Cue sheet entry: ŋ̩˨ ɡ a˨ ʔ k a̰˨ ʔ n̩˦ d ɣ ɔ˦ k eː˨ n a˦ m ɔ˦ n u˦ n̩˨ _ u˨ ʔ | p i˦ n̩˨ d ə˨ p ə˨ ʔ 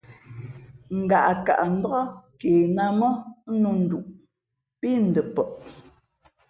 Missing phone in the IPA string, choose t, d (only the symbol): d